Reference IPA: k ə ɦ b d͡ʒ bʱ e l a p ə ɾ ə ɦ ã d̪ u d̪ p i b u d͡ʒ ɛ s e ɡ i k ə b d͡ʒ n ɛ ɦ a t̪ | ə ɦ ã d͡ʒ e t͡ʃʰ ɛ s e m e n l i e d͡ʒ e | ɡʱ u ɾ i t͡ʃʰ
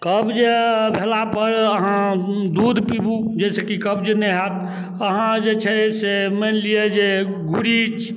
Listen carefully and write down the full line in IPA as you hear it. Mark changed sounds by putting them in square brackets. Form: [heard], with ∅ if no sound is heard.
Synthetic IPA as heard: k ə [∅] b d͡ʒ bʱ e l a p ə ɾ ə ɦ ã d̪ u d̪ p i b u d͡ʒ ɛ s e [k] i k ə b d͡ʒ n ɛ ɦ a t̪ | ə ɦ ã d͡ʒ e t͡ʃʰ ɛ s e m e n l i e d͡ʒ e | ɡʱ u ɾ i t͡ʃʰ